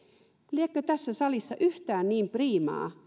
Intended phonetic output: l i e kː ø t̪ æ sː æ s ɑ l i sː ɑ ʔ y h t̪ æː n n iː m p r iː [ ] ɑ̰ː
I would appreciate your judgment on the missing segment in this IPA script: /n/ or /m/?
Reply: m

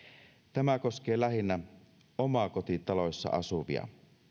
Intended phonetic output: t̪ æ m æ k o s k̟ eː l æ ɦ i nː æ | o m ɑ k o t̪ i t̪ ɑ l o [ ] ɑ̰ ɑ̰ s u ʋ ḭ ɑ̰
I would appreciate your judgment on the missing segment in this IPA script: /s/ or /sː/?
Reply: sː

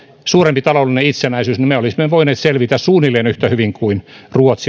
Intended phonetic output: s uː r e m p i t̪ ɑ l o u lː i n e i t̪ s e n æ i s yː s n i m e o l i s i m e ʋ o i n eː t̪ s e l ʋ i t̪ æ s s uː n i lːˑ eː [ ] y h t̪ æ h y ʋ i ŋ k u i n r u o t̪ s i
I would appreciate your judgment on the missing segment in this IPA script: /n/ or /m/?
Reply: n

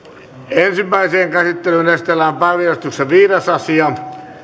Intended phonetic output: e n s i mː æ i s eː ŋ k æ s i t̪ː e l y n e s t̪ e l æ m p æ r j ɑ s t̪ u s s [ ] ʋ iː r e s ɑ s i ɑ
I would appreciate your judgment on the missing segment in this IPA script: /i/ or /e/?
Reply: e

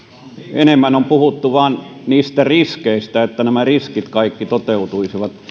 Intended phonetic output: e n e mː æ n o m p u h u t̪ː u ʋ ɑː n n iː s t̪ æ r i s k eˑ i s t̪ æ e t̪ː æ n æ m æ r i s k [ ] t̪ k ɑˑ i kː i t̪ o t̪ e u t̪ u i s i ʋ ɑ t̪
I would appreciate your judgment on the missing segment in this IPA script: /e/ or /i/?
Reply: i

